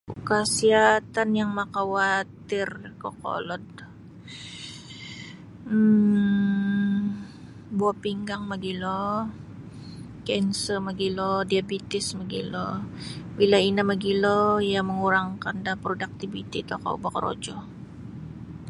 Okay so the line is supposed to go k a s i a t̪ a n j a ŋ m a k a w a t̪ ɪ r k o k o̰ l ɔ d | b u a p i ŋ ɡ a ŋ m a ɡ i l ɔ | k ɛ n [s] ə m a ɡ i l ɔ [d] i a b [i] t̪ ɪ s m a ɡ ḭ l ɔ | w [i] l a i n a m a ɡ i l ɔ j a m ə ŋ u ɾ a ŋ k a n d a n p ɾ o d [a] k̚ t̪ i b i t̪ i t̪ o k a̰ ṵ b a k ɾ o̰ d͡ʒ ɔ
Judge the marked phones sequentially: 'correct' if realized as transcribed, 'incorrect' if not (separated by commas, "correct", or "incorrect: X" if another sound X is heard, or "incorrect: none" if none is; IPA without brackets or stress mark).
correct, correct, correct, correct, correct